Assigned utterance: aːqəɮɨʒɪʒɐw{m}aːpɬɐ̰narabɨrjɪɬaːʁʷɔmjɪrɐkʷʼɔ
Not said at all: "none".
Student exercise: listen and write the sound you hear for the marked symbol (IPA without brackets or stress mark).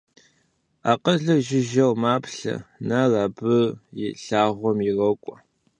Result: m